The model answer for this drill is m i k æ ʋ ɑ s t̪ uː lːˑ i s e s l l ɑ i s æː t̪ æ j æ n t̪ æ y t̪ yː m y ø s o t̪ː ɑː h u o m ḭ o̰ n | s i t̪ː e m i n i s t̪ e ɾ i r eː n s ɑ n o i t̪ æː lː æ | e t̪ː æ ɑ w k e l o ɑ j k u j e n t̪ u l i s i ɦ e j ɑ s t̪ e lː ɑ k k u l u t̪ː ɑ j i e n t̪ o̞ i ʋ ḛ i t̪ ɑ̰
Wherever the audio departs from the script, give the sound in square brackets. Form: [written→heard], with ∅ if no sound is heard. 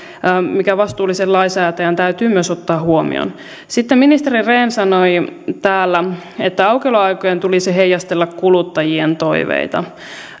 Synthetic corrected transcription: m i k æ ʋ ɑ s t̪ uː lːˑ i s e [s→∅] l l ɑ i s æː t̪ æ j æ n t̪ æ y t̪ yː m y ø s o t̪ː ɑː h u o m ḭ o̰ n | s i t̪ː e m i n i s t̪ e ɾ i r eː n s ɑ n o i t̪ æː lː æ | e t̪ː æ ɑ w k e l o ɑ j k [u→o] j e n t̪ u l i s i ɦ e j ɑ s t̪ e lː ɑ k k u l u t̪ː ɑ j i e n t̪ o̞ i ʋ ḛ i t̪ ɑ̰